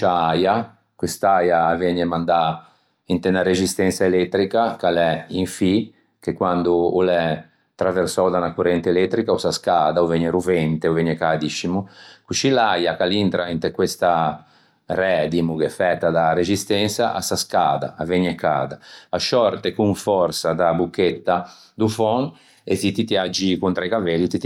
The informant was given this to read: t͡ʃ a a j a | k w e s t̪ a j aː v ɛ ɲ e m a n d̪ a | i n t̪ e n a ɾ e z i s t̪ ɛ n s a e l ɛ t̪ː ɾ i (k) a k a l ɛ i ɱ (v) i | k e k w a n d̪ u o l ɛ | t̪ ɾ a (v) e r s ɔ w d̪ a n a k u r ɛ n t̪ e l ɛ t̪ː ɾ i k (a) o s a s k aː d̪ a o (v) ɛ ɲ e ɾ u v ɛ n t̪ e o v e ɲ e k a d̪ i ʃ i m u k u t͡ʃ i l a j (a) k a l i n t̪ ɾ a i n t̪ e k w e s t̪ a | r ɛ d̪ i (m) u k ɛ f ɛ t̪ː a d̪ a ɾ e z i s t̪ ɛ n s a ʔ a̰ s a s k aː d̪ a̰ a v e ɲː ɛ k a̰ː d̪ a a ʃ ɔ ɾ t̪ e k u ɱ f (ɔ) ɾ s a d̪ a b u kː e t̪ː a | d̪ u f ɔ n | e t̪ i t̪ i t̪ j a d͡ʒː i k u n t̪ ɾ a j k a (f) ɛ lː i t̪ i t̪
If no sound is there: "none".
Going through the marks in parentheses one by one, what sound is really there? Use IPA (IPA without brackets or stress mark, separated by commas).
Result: k, f, v, a, v, a, m, ɔ, v